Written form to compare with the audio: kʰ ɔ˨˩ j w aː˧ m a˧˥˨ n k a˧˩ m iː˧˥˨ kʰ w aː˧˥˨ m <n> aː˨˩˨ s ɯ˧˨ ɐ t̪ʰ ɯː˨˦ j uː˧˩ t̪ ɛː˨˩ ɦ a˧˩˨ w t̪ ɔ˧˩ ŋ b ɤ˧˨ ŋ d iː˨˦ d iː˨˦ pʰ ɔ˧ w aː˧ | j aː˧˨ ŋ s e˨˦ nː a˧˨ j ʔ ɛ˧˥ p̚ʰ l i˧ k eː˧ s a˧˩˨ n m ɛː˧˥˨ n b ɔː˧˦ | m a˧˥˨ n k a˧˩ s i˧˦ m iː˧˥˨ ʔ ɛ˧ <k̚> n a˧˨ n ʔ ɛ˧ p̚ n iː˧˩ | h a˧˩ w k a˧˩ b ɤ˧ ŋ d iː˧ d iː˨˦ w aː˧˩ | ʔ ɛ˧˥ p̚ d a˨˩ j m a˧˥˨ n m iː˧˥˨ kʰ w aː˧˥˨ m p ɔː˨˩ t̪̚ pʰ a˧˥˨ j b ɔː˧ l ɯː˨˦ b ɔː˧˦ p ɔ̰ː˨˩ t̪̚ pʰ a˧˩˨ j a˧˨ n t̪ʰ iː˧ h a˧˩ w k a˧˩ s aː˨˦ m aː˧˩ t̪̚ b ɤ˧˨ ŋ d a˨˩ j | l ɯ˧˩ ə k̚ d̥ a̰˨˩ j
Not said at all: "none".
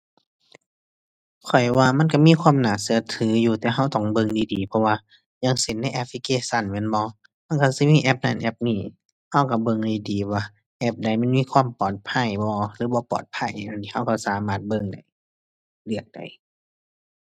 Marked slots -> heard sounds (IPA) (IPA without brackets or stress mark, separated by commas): n, p̚